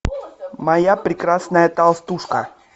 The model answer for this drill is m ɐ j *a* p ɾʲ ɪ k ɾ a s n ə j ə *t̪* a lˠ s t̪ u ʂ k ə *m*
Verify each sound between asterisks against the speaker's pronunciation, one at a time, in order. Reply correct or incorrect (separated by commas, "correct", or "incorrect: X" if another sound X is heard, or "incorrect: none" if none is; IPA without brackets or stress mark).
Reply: correct, correct, incorrect: none